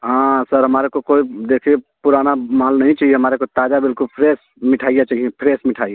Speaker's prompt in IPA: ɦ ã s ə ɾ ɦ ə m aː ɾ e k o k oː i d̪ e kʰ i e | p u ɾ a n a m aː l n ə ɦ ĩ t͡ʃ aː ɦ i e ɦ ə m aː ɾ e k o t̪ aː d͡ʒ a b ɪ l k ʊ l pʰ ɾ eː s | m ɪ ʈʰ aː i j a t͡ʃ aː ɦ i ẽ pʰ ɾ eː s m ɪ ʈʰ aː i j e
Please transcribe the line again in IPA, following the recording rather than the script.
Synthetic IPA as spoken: ɦ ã s ə ɾ ɦ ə m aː ɾ e k o k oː i d̪ e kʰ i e | p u ɾ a n a m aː l n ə ɦ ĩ t͡ʃ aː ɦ i e ɦ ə m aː ɾ e k o t̪ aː d͡ʒ a b ɪ l k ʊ l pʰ ɾ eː s | m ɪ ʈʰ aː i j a t͡ʃ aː ɦ i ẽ pʰ ɾ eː s m ɪ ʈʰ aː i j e